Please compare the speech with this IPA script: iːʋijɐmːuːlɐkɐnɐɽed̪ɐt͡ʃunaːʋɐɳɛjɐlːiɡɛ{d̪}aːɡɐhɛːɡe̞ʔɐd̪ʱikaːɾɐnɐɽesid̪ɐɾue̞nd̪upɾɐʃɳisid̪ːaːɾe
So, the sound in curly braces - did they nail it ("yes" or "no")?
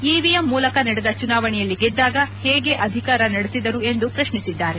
no